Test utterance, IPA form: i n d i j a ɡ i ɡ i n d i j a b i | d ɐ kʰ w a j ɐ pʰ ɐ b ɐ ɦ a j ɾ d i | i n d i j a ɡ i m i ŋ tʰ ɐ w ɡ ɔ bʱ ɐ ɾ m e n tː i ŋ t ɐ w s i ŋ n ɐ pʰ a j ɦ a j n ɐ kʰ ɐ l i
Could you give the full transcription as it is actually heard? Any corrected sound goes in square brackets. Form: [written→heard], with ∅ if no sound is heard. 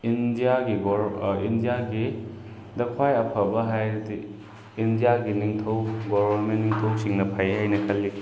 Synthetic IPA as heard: i n d i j a ɡ i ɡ i n d i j a [b→ɡ] i | d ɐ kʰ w a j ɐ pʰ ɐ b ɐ ɦ a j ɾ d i | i n d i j a ɡ i [m→n] i ŋ tʰ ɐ w ɡ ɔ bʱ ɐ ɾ m e n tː i ŋ [t→tʰ] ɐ w s i ŋ n ɐ pʰ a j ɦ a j n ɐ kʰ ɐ l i

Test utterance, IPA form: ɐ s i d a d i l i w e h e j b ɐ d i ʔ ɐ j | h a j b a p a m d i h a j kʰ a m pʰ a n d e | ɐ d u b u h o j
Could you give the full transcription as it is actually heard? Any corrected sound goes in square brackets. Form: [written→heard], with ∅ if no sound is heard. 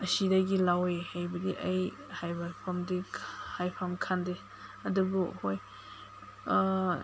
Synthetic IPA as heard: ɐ s i d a [d→ɡ] i l [i→a] w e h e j b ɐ d i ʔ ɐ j | h a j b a [p→pʰ] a m d i h a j [kʰ→pʰ] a m [pʰ→kʰ] a n d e | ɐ d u b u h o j

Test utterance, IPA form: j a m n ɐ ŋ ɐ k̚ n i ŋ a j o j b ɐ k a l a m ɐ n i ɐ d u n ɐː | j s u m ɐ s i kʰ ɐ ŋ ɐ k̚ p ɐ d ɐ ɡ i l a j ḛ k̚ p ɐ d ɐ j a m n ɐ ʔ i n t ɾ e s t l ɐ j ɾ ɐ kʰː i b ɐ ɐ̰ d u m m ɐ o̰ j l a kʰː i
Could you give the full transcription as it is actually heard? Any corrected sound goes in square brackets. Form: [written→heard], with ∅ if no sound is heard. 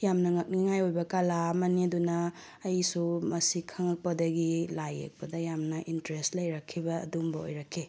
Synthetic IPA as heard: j a m n ɐ ŋ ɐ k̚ n i ŋ a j o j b ɐ k a l a m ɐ n i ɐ d u n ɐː | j s u m ɐ s i kʰ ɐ ŋ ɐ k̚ p ɐ d ɐ ɡ i l a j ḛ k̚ p ɐ d ɐ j a m n ɐ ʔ i n t ɾ e s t l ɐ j ɾ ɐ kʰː i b ɐ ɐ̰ d u m [m→b] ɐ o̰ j [l→ɾ] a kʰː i

